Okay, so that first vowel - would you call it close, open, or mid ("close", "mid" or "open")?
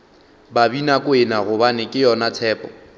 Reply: open